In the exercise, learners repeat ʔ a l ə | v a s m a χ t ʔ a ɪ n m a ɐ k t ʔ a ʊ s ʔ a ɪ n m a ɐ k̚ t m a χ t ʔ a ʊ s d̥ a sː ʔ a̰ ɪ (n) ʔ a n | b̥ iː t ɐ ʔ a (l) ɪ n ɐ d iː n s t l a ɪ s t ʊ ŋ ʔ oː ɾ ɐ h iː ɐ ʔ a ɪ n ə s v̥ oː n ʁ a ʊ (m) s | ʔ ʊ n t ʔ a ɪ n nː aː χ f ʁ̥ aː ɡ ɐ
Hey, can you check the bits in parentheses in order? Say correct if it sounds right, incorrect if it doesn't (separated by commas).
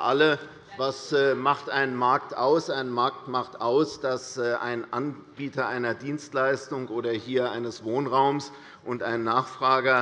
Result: correct, incorrect, correct